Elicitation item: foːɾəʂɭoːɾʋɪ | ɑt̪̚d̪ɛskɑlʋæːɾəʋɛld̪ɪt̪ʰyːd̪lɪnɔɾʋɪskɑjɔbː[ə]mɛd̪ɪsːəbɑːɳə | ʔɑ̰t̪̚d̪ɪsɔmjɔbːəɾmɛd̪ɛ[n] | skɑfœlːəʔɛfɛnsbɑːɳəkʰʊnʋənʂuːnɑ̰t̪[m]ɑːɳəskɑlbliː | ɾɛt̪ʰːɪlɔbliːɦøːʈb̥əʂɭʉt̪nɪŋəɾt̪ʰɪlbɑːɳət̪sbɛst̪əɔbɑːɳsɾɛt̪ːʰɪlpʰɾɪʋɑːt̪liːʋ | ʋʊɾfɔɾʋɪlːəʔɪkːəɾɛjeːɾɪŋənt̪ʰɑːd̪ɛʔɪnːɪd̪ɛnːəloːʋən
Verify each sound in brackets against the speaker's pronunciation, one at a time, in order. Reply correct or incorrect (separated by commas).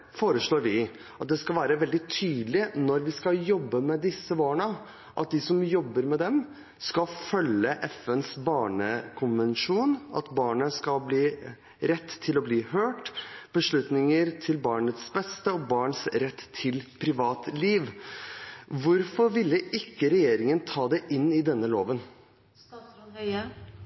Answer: correct, incorrect, incorrect